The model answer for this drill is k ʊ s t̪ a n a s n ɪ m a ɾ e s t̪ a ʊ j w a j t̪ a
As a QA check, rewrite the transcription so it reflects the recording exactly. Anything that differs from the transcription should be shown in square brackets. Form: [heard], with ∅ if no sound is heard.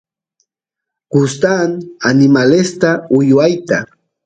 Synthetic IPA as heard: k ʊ s t̪ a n a [∅] n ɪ m a [l] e s t̪ a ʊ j w a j t̪ a